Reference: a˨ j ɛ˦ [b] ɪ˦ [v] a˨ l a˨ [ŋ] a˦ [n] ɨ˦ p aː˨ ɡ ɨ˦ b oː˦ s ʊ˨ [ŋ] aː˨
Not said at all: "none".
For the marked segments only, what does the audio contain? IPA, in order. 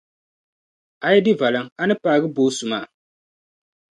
d, v, ŋ, n, m

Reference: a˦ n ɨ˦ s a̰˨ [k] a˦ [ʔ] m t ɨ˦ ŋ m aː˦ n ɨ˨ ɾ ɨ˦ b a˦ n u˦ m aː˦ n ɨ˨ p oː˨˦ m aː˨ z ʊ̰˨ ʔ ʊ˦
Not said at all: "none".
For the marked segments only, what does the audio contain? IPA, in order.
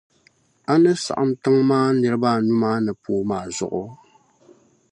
ʔ, none

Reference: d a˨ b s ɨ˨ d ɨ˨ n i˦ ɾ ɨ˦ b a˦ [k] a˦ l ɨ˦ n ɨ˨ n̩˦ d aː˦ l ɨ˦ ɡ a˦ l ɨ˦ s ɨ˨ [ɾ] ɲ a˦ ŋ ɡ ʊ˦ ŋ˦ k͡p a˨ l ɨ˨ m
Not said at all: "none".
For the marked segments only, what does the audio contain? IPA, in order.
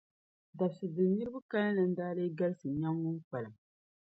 k, none

